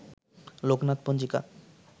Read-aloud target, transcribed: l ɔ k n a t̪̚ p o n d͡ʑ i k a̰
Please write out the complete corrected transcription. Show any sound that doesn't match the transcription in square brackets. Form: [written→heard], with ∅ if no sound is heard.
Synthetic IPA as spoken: l [ɔ→o] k n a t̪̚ p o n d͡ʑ i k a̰